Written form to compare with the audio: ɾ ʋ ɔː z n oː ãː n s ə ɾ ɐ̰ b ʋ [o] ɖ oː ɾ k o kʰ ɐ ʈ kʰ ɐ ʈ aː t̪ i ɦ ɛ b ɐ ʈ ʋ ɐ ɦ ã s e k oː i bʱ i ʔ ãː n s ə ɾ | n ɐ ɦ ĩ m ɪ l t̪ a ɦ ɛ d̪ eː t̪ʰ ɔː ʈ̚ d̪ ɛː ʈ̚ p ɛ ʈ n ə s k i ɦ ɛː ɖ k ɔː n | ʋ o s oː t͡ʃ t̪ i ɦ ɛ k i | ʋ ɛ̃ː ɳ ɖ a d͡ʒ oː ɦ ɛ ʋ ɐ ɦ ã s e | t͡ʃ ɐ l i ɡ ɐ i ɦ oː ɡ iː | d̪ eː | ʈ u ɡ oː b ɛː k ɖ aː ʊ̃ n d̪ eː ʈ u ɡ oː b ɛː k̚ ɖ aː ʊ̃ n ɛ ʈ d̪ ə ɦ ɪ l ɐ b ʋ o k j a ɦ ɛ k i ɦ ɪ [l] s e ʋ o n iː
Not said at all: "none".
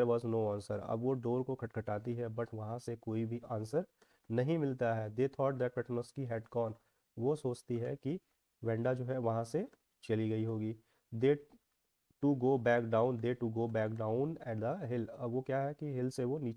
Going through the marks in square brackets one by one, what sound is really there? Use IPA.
o, l

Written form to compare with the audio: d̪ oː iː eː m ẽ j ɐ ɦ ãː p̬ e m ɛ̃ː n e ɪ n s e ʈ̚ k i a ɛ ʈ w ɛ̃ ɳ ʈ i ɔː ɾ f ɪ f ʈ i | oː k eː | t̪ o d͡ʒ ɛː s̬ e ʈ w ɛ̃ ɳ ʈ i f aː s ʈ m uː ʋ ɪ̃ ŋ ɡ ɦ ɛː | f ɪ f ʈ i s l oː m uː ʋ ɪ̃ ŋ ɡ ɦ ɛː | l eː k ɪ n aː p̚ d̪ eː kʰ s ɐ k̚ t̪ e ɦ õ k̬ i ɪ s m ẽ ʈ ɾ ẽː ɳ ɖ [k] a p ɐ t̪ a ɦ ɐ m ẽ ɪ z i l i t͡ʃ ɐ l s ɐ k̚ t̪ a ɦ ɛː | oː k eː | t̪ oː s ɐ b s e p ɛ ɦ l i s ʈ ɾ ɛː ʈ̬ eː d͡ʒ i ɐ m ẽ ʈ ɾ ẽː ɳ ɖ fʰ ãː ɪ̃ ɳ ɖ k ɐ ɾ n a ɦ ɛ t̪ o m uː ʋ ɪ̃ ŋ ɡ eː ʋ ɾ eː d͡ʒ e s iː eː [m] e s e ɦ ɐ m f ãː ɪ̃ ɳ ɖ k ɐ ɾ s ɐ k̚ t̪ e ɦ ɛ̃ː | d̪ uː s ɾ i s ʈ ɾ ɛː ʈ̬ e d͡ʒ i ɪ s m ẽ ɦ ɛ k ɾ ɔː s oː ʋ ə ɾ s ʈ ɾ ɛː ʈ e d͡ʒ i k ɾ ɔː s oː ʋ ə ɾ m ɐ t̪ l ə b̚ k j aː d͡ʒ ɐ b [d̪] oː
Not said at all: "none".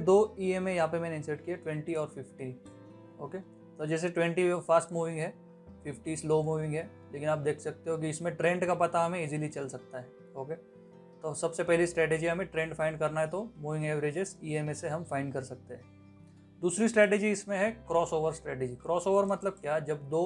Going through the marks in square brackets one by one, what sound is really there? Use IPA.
k, m, d̪

